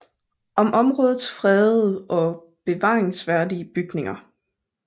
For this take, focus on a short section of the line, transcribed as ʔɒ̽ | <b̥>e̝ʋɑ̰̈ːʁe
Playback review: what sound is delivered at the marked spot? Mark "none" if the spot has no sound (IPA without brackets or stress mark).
b̥